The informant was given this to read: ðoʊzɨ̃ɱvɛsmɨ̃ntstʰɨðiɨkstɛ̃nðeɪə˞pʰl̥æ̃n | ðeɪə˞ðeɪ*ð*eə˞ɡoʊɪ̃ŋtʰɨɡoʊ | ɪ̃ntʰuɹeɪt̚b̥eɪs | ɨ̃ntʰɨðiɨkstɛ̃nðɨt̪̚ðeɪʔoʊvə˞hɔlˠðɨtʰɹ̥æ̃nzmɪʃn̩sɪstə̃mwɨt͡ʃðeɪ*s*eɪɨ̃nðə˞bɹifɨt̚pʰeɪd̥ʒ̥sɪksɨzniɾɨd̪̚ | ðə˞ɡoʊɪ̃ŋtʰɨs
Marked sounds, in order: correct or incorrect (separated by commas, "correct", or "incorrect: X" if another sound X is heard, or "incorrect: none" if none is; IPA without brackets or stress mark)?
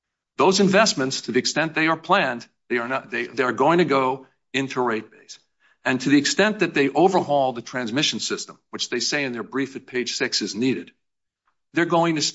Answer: correct, correct